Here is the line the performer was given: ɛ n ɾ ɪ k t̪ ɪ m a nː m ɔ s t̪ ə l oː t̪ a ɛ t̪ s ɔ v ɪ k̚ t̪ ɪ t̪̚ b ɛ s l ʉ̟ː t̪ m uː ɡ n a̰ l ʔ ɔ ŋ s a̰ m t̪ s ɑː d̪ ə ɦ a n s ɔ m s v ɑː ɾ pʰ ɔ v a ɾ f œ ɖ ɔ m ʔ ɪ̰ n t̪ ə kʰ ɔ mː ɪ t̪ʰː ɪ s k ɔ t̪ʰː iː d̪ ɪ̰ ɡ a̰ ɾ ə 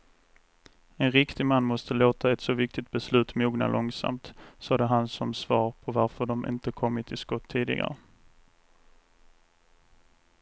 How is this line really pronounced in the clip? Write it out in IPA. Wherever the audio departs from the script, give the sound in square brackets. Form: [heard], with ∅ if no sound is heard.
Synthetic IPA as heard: ɛ n ɾ ɪ k t̪ ɪ m a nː m ɔ s t̪ ə l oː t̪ a ɛ t̪ s ɔ v ɪ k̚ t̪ ɪ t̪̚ b ɛ s l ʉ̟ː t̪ m uː ɡ n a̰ l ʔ ɔ ŋ s a̰ m t̪ s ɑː d̪ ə ɦ a n s ɔ m s v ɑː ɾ pʰ ɔ v a ɾ f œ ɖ ɔ m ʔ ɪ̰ n t̪ ə kʰ ɔ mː ɪ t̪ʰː ɪ s k ɔ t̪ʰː iː d̪ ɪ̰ ɡ a̰ ɾ ə

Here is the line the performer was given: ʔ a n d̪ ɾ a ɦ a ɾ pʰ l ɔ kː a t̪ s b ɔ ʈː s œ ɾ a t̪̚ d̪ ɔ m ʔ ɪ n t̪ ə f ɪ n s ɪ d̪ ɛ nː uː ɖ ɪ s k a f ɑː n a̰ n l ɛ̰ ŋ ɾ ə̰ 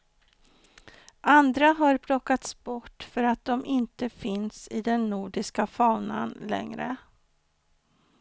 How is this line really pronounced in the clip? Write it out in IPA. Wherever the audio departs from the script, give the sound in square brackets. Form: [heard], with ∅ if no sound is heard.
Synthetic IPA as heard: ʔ a n d̪ ɾ a ɦ a ɾ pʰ l ɔ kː a t̪ s b ɔ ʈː [f] œ ɾ a t̪̚ d̪ ɔ m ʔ ɪ n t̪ ə f ɪ n s ɪ d̪ ɛ nː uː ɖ ɪ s k a f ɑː n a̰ n l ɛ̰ ŋ ɾ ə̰

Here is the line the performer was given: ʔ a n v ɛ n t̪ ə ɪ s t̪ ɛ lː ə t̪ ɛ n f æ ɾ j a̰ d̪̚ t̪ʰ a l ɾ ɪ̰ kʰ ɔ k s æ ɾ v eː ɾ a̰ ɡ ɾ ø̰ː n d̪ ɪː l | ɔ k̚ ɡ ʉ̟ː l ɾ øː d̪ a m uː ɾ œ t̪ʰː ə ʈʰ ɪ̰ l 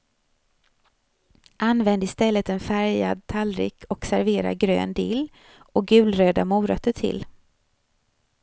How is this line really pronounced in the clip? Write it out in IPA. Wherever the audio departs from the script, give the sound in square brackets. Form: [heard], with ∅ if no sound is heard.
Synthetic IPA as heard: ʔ a n v ɛ n [d̪] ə ɪ s t̪ ɛ lː ə t̪ ɛ n f æ ɾ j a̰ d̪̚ t̪ʰ a l ɾ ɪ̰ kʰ ɔ k s æ ɾ v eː ɾ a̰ ɡ ɾ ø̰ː n d̪ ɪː l | ɔ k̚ ɡ ʉ̟ː l ɾ øː d̪ a m uː ɾ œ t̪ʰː ə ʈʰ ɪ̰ l

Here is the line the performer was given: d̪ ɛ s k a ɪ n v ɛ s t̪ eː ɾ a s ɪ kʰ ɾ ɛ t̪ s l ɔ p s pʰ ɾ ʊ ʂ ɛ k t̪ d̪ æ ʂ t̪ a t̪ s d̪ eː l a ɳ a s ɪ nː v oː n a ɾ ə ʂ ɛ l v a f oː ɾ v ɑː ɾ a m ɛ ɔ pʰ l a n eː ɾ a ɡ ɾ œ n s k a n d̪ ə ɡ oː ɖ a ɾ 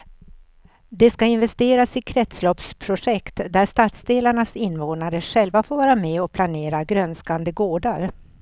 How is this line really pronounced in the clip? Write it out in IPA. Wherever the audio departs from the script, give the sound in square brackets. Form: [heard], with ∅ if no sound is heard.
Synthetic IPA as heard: d̪ ɛ s k a ɪ n v ɛ s t̪ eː ɾ a s ɪ kʰ ɾ ɛ t̪ s l ɔ p s pʰ ɾ ʊ ʂ ɛ k t̪ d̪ æ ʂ t̪ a t̪ s d̪ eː l a ɳ a s ɪ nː v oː n a ɾ ə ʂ ɛ l v a f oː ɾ v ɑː ɾ a m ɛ ɔ pʰ l a n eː ɾ a ɡ ɾ œ n s k a n d̪ ə ɡ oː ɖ a ɾ

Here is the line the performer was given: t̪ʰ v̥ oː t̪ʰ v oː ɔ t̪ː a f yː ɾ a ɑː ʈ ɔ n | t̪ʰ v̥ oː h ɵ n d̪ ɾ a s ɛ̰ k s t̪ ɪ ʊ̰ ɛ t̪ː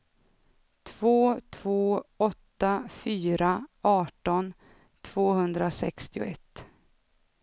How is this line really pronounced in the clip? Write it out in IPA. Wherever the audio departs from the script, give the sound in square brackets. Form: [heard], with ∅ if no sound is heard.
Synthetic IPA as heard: t̪ʰ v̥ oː t̪ʰ v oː ɔ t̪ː a f yː ɾ a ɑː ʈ ɔ n | t̪ʰ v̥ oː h ɵ n d̪ ɾ a s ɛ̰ k s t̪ ɪ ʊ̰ ɛ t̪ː

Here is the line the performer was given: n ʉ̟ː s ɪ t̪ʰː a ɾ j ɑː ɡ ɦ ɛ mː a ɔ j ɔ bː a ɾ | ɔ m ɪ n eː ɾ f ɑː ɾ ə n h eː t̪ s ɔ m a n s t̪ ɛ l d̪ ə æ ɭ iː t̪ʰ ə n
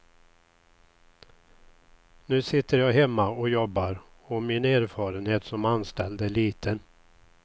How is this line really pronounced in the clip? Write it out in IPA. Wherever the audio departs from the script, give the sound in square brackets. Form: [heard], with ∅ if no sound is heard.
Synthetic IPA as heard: n ʉ̟ː s ɪ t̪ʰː [ə] ɾ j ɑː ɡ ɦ ɛ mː a ɔ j ɔ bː a ɾ | ɔ m ɪ n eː ɾ f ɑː ɾ ə n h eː t̪ s ɔ m a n s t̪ ɛ l d̪ ə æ ɭ iː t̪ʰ ə n

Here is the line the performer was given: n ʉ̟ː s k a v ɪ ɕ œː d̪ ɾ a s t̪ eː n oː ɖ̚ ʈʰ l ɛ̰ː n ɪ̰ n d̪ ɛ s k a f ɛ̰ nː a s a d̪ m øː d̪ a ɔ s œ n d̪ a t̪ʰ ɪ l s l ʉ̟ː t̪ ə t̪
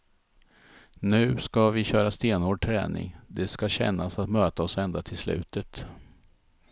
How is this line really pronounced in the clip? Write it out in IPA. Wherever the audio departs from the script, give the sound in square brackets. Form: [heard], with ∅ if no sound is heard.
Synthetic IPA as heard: n ʉ̟ː s k a v ɪ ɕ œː [∅] ɾ a s t̪ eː n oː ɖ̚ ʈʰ [ɾ] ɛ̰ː n ɪ̰ [ŋ] d̪ ɛ s k a [ɕ] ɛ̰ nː a s a [t̪] m øː [t̪] a ɔ s [ɛ] n d̪ a t̪ʰ ɪ l s l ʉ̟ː t̪ ə t̪

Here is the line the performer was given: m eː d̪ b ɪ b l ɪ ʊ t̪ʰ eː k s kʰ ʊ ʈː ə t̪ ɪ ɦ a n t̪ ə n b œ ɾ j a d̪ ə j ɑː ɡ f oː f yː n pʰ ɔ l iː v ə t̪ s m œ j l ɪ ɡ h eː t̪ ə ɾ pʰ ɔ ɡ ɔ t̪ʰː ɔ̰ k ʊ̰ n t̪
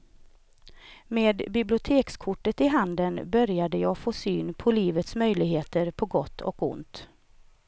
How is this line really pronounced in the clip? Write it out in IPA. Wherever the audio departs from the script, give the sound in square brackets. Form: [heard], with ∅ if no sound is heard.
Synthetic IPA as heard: m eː d̪ b ɪ b l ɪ ʊ t̪ʰ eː k s kʰ ʊ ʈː ə t̪ ɪ ɦ a n [d̪] ə n b œ ɾ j a d̪ ə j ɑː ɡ f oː [s] yː n pʰ ɔ l iː v ə t̪ s m œ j l ɪ ɡ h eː t̪ ə ɾ pʰ ɔ ɡ ɔ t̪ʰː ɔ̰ k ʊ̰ n t̪

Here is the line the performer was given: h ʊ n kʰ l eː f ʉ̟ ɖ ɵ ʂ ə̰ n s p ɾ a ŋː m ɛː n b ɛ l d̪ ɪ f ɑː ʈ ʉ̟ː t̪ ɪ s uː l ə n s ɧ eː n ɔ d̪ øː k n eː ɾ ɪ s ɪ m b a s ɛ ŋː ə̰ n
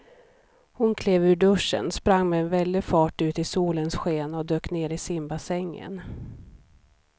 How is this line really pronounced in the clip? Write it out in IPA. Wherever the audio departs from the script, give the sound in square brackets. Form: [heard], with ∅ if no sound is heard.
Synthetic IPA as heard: h ʊ n kʰ l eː [v] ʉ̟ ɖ ɵ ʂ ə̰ n s p ɾ a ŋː m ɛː n [v] ɛ l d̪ ɪ f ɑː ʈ ʉ̟ː t̪ ɪ s uː l ə n s ɧ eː n ɔ d̪ øː k n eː ɾ ɪ s ɪ m b a s ɛ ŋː ə̰ n

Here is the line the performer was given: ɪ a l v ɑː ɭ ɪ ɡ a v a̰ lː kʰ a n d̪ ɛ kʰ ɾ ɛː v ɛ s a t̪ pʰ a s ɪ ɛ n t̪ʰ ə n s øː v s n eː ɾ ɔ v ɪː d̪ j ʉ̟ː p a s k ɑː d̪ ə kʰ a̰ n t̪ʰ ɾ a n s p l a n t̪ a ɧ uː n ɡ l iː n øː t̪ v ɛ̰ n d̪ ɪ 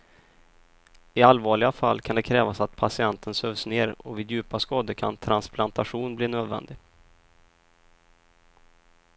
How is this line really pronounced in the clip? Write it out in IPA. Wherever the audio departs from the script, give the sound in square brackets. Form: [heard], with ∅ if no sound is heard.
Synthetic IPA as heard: ɪ a l v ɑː ɭ ɪ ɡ a [f] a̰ lː kʰ a n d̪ ɛ kʰ ɾ ɛː v [a] s a t̪ pʰ a s ɪ ɛ n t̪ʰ ə n s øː v s n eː ɾ ɔ v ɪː d̪ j ʉ̟ː p a s k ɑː d̪ ə kʰ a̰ n t̪ʰ ɾ a n s p l a n t̪ a ɧ uː n [b] l iː n øː [d̪] v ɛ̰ n d̪ ɪ

